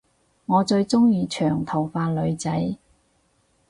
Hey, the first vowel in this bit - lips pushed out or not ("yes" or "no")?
yes